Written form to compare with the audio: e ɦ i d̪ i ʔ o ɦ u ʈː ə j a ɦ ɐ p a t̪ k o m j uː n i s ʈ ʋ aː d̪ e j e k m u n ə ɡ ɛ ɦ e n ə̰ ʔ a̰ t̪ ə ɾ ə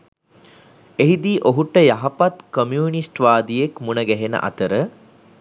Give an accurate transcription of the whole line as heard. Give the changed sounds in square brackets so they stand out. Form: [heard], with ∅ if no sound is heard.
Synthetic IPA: e ɦ i d̪ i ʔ o ɦ u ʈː ə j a ɦ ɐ p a t̪ k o m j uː n i s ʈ ʋ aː d̪ [i] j e k m u n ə ɡ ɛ ɦ e n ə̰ ʔ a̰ t̪ ə ɾ ə